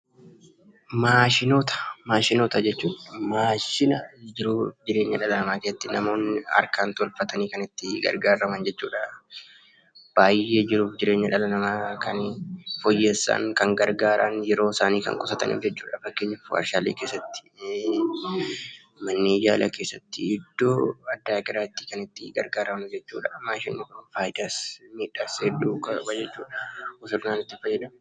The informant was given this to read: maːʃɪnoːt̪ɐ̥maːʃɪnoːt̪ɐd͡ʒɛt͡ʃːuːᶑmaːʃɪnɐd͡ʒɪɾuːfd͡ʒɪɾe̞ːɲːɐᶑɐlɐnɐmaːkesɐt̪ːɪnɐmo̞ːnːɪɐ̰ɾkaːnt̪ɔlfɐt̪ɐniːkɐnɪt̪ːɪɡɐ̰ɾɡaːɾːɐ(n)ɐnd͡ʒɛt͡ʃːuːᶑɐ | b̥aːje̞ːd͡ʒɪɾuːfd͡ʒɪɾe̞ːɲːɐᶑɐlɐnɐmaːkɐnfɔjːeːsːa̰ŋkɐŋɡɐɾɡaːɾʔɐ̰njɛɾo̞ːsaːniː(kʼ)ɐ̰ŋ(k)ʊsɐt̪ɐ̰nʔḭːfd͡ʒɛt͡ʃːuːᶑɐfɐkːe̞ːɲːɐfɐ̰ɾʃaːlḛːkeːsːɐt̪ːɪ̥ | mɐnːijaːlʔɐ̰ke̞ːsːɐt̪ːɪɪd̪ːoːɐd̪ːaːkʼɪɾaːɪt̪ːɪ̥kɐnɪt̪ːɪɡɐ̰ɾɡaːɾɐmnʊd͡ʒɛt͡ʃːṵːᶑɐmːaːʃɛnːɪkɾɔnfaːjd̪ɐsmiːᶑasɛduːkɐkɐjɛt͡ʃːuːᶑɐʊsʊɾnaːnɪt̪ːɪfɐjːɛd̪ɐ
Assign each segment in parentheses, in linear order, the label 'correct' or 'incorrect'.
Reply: incorrect, incorrect, incorrect

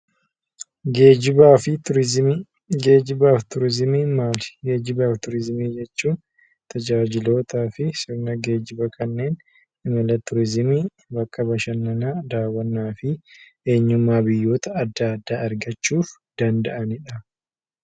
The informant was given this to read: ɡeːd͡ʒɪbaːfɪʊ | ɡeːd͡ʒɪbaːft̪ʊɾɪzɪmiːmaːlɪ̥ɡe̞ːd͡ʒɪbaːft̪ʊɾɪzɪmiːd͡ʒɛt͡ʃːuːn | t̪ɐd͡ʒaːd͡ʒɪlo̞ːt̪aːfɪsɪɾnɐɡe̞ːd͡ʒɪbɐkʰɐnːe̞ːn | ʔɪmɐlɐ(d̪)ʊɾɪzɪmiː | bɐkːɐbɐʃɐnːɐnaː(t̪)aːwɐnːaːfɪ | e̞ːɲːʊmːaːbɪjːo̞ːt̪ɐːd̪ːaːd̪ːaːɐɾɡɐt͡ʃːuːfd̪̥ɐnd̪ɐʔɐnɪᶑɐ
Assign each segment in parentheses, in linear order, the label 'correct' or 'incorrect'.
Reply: incorrect, incorrect

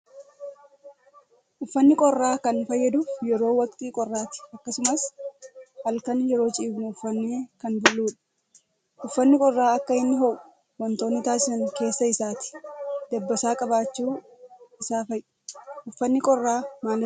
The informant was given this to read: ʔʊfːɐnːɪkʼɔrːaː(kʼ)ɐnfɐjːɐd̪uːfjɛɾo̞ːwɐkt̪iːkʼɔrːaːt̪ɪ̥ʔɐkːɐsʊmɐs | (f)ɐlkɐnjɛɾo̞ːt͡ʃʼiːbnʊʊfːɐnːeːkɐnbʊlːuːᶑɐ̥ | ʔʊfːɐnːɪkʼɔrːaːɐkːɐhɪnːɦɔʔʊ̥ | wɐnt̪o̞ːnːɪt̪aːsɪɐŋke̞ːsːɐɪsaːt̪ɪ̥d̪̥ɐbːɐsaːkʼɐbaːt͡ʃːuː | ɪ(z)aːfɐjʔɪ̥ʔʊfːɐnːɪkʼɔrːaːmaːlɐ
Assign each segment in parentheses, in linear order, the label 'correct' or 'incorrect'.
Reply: incorrect, incorrect, incorrect

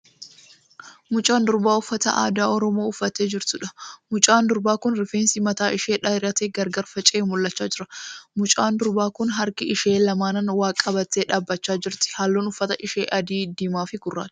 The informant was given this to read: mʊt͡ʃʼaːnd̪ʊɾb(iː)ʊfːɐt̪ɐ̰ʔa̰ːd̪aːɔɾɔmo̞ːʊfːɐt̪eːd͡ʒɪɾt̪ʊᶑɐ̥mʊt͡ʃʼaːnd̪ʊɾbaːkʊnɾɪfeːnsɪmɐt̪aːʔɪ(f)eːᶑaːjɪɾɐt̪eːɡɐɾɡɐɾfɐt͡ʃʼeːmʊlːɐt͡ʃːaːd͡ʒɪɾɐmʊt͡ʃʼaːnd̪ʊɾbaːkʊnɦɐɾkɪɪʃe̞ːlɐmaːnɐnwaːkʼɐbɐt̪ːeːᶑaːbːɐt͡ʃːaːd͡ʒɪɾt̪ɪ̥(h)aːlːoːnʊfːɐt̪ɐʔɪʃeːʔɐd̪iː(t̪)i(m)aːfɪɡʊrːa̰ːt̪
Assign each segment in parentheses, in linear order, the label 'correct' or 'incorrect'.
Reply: incorrect, incorrect, correct, incorrect, correct

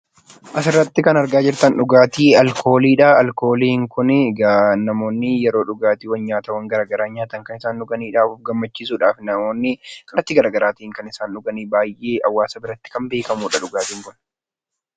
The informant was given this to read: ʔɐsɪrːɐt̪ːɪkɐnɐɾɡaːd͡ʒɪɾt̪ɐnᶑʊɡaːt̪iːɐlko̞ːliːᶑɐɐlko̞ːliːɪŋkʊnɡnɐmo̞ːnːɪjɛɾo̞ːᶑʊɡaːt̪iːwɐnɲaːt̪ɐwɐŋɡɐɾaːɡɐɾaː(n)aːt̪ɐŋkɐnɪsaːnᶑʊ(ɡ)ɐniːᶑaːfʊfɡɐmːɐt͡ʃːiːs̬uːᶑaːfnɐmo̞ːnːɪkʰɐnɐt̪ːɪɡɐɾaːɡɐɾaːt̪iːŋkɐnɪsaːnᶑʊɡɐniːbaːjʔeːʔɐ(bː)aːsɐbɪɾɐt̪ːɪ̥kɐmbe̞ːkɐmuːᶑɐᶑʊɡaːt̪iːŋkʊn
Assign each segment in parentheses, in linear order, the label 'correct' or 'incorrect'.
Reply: incorrect, correct, incorrect

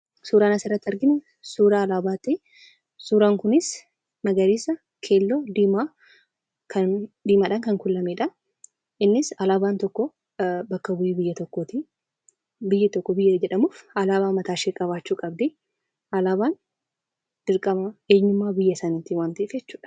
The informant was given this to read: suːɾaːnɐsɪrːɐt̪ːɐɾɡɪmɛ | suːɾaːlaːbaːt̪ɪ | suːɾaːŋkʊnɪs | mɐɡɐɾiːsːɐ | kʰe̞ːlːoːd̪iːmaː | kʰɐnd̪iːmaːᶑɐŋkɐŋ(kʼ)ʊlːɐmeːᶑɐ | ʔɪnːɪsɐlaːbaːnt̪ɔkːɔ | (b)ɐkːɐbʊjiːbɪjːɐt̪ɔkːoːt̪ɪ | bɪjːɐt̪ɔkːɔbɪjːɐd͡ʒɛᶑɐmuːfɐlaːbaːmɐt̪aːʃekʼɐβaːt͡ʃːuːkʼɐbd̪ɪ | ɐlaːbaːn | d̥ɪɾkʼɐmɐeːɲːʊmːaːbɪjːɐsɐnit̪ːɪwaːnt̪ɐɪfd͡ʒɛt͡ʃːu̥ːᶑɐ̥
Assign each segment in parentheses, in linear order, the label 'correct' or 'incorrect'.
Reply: incorrect, correct

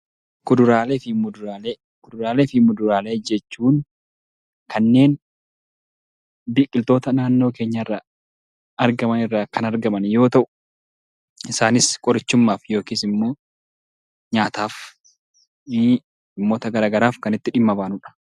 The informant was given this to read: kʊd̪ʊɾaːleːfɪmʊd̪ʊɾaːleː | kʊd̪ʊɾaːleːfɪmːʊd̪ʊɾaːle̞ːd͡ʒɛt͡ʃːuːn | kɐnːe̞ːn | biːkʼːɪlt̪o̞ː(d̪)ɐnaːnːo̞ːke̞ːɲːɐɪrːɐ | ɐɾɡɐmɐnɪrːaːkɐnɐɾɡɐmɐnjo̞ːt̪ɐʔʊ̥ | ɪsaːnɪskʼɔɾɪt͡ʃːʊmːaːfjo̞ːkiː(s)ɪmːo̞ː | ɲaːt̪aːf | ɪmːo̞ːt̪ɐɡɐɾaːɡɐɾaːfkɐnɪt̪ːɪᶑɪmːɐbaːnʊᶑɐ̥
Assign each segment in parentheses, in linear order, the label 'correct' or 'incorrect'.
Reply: incorrect, correct

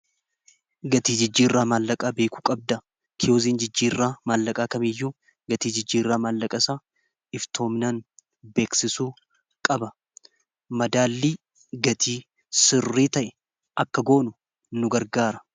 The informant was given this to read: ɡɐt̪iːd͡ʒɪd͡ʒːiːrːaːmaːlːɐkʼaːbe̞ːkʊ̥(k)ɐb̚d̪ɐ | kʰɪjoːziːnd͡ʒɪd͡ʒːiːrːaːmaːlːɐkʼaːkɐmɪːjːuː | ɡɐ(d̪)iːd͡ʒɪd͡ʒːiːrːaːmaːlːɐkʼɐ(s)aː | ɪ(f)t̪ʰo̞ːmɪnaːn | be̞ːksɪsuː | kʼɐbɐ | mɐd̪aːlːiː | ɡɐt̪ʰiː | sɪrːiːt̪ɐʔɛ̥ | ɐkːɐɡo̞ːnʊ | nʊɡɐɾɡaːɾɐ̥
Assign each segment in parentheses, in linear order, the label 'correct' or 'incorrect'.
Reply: incorrect, incorrect, correct, correct

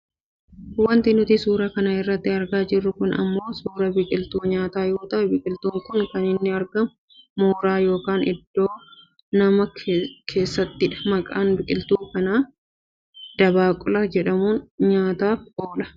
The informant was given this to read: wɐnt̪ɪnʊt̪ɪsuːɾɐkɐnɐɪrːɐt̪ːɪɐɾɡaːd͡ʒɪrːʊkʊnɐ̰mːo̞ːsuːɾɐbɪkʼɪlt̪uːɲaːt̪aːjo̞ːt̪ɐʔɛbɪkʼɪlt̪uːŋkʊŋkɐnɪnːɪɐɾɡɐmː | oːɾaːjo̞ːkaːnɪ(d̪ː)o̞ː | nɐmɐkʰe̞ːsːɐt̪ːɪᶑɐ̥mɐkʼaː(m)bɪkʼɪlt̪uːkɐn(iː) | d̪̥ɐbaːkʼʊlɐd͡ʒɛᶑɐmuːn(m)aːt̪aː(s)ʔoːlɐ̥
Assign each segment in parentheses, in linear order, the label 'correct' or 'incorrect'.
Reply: correct, incorrect, incorrect, incorrect, incorrect

